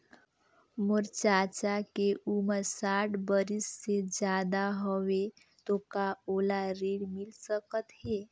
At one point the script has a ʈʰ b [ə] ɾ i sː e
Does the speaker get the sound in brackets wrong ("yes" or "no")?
no